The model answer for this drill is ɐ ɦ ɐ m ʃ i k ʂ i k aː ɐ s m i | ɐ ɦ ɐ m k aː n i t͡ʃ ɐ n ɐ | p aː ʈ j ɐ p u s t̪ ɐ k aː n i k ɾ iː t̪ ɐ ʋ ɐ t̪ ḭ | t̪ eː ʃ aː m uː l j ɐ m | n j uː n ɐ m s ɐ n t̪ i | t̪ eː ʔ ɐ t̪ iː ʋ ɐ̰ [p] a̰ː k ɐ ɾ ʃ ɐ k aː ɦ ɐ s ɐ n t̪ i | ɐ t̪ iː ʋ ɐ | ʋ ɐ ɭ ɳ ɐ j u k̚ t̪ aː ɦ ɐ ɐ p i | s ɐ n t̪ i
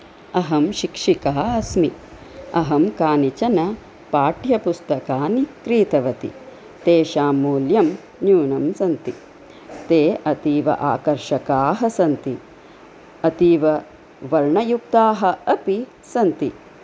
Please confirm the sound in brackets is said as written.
no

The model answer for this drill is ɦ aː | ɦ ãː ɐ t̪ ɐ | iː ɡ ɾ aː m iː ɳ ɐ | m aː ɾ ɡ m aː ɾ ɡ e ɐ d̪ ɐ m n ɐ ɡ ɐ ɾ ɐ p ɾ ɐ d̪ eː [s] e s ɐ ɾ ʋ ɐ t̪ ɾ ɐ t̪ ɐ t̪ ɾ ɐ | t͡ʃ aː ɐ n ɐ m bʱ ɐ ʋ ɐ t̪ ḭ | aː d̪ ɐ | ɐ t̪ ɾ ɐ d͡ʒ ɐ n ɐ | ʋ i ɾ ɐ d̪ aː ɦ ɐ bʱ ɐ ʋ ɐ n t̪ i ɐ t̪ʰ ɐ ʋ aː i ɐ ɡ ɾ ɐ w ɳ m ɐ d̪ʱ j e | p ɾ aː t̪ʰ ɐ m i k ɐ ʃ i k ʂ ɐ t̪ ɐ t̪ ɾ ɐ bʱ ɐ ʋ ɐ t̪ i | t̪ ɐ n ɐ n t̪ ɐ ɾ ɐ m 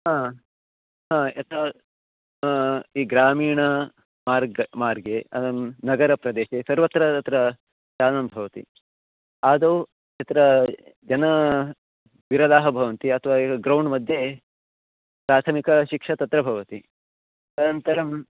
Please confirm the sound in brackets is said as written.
no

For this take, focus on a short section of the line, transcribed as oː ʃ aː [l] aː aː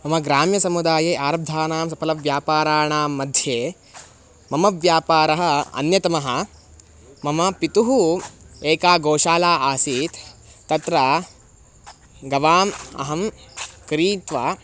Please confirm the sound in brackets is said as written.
yes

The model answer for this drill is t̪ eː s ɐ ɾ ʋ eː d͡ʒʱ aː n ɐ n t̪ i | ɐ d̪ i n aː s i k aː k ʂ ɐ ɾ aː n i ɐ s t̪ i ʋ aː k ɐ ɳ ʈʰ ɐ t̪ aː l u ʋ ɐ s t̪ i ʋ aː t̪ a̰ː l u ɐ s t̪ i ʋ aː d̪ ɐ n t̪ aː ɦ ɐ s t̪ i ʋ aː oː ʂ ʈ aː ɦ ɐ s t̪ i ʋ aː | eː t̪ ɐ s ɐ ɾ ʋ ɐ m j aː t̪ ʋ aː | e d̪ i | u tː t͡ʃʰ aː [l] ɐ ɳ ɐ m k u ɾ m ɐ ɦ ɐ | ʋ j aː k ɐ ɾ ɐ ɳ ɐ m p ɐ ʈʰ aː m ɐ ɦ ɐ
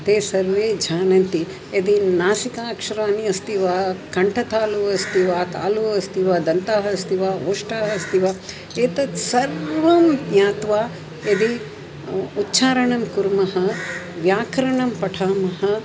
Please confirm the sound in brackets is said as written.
no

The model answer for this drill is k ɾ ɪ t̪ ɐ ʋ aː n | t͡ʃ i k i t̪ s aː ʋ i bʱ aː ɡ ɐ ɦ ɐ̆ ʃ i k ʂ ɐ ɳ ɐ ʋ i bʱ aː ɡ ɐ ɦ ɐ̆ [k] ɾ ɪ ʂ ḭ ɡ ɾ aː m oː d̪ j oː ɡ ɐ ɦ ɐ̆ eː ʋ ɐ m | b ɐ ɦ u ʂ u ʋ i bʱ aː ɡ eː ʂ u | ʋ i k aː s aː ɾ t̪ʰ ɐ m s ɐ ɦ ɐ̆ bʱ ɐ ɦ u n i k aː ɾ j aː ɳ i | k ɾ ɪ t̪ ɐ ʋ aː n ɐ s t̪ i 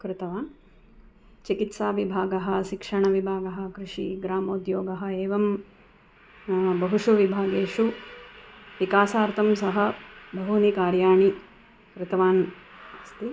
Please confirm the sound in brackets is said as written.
yes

